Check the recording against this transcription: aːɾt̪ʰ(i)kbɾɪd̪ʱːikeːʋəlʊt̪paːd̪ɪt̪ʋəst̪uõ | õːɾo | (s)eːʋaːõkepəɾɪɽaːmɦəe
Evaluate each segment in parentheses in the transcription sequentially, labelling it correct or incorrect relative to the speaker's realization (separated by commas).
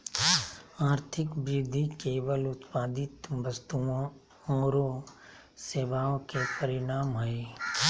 incorrect, correct